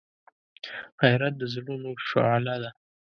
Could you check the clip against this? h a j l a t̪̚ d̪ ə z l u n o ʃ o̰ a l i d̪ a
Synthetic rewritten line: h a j ɾ a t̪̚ d̪ ə z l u n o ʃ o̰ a l a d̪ a